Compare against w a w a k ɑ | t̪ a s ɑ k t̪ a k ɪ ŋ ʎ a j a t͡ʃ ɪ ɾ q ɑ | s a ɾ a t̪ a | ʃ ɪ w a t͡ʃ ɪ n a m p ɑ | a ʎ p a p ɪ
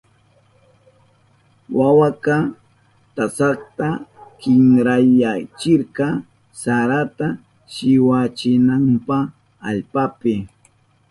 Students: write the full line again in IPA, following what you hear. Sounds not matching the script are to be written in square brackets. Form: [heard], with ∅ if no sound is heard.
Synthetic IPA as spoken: w a w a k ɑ | t̪ a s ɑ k t̪ a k ɪ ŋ [ɾ] a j a t͡ʃ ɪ ɾ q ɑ | s a ɾ a t̪ a | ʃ ɪ w a t͡ʃ ɪ n a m p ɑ | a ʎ p a p ɪ